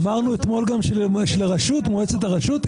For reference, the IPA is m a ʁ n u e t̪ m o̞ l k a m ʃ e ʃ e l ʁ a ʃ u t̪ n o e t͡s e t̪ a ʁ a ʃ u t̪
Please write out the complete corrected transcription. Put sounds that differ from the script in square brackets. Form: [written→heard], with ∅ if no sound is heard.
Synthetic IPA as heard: m a ʁ n u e t̪ m o̞ l [k→ɡ] a m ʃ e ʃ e l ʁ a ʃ u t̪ [n→m] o e t͡s e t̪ a ʁ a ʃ u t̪